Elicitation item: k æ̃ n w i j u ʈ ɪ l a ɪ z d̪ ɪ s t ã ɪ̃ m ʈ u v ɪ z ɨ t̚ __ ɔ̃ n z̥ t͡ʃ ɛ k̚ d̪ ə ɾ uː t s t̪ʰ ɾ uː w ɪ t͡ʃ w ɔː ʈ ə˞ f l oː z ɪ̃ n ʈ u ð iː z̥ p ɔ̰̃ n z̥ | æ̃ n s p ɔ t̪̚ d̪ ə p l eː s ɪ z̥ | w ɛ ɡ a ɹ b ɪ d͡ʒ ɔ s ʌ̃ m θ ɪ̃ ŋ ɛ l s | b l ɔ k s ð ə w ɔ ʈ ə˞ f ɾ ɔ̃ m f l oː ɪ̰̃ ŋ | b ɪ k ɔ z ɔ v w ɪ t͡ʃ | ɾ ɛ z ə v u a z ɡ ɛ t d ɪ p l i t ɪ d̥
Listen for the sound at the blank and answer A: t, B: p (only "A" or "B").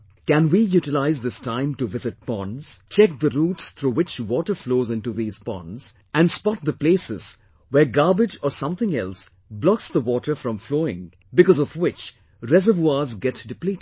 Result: B